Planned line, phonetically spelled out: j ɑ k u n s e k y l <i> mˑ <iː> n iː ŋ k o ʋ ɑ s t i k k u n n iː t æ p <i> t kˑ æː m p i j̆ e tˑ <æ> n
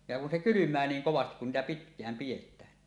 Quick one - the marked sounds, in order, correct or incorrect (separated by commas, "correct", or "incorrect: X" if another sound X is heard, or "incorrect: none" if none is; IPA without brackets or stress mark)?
incorrect: y, incorrect: æː, correct, incorrect: æː